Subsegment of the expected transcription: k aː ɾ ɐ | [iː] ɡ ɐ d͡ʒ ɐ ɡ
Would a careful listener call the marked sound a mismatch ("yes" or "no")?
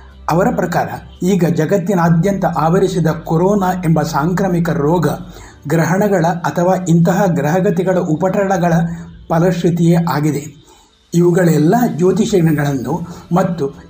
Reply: no